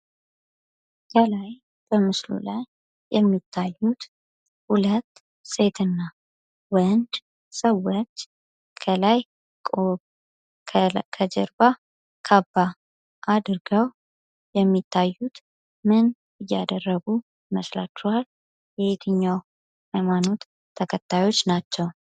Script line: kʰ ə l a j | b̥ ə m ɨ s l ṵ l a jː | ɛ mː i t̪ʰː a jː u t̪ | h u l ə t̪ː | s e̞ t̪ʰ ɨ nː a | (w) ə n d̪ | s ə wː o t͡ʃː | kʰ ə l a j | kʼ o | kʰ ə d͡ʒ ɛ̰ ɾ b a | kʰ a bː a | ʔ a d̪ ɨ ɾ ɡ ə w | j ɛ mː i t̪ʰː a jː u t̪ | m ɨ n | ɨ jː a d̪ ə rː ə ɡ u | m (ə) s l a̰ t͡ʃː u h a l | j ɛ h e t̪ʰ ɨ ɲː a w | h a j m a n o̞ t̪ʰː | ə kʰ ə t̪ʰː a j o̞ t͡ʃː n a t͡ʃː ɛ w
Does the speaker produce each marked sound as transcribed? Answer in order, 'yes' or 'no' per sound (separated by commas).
yes, yes